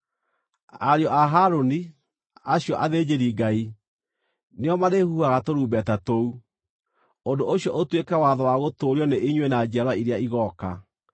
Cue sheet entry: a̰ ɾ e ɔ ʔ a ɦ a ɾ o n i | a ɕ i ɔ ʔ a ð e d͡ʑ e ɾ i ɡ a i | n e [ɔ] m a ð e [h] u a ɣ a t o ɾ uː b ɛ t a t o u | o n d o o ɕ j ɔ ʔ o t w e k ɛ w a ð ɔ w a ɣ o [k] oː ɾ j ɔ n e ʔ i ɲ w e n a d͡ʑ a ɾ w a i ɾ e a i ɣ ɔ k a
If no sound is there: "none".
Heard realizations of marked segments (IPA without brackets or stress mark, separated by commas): ɔ, h, t